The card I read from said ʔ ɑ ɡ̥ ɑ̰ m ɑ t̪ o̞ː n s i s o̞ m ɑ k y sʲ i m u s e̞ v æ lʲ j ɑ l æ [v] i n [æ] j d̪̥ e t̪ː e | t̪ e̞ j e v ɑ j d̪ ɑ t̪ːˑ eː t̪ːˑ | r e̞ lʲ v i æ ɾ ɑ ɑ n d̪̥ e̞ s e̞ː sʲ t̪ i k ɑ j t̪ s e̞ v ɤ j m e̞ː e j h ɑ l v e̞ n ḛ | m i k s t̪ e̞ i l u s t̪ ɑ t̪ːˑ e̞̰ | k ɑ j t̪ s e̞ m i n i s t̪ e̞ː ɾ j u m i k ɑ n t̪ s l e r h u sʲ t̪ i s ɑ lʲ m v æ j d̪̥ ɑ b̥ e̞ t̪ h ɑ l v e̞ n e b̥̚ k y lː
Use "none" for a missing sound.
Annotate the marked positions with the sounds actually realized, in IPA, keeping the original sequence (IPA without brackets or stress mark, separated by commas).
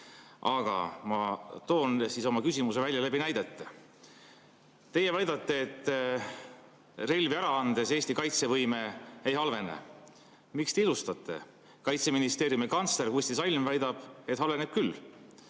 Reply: b, æ